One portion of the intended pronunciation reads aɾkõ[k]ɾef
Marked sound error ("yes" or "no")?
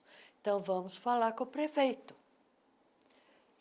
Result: yes